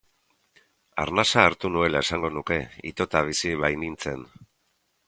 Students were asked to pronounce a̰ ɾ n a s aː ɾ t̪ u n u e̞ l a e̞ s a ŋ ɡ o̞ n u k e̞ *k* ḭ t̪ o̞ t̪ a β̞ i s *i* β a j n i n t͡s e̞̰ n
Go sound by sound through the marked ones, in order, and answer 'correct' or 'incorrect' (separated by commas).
incorrect, correct